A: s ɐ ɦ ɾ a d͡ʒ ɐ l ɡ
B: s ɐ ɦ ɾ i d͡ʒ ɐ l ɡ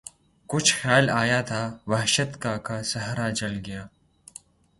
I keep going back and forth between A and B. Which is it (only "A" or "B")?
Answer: A